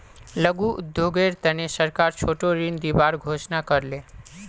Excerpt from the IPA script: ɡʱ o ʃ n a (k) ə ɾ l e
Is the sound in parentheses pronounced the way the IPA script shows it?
yes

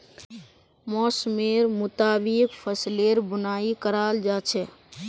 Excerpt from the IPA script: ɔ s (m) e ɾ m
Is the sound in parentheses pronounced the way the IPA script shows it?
yes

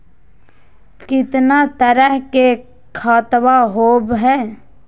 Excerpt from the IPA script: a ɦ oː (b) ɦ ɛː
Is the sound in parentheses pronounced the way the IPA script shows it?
yes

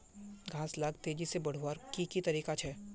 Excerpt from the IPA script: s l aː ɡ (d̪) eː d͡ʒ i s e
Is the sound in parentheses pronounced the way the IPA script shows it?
no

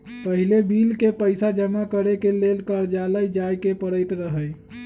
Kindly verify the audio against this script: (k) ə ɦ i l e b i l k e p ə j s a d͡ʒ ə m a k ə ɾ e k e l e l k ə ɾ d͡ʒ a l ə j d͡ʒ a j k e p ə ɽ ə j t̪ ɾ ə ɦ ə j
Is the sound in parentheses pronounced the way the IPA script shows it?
no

